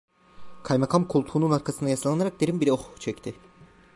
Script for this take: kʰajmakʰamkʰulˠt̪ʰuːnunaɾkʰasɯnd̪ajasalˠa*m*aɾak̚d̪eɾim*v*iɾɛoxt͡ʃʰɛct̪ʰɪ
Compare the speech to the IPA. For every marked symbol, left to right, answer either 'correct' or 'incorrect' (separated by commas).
incorrect, incorrect